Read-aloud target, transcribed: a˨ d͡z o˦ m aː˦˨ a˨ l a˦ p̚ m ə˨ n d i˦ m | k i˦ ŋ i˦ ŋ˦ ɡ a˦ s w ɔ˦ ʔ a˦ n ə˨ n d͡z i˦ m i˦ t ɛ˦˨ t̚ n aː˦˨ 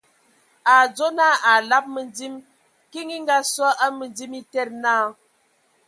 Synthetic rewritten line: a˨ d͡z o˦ n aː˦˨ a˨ l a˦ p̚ m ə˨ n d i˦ m | k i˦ ŋ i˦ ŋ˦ ɡ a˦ s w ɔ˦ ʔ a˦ m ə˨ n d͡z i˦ m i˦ t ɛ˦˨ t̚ n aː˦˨